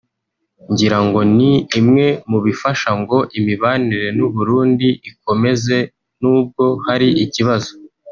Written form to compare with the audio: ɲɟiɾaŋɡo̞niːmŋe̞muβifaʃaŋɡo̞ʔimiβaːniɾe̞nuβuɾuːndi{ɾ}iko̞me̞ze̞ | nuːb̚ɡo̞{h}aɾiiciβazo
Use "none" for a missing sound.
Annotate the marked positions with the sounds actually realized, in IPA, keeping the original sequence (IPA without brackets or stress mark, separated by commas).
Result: none, h